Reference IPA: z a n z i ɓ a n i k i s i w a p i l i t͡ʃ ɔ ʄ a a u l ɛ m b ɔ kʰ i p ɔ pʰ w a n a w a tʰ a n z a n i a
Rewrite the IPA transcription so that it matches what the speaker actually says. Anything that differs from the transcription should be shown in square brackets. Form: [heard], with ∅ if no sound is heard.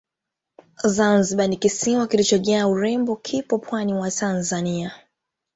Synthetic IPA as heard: z a n z i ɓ a n i k i s i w a [k] i l i t͡ʃ ɔ ʄ a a u [ɾ] ɛ m b ɔ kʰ i p ɔ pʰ w a n [i] w a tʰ a n z a n i a